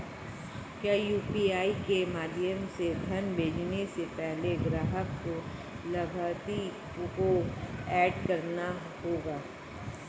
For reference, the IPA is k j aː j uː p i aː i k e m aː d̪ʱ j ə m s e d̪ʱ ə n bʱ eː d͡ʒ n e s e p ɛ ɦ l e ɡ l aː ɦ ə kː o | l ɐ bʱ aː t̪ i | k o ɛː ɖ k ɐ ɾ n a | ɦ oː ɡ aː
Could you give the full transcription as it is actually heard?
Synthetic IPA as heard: k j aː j uː p i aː i k e m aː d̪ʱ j ə m s e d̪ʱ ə n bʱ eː d͡ʒ n e s e p ɛ ɦ l e ɡ ɾ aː ɦ ə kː o | l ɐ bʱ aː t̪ i | k o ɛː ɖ k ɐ ɾ n a | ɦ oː ɡ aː